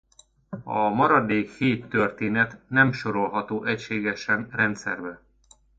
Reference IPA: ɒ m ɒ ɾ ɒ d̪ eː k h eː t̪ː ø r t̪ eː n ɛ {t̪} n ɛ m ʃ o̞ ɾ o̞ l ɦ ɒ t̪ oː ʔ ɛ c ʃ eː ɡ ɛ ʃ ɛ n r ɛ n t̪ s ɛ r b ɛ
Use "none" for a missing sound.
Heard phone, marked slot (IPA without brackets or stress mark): t̪